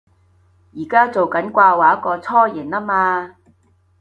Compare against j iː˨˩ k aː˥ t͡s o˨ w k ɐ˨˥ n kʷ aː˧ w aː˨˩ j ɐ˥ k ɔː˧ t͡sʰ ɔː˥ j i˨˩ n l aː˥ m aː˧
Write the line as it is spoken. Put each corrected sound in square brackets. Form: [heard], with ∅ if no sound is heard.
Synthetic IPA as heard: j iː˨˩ k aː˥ t͡s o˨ w k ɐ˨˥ n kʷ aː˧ w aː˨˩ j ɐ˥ k ɔː˧ t͡sʰ ɔː˥ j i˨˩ n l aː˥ m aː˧